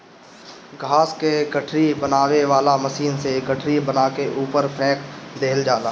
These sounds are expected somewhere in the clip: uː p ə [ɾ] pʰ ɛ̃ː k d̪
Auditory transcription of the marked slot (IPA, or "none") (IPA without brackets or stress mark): ɾ